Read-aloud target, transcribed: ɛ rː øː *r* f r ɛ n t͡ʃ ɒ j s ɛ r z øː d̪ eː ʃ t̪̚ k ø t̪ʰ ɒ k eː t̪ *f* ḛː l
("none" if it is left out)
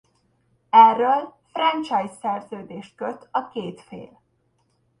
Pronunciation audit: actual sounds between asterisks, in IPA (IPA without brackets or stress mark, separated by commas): l, f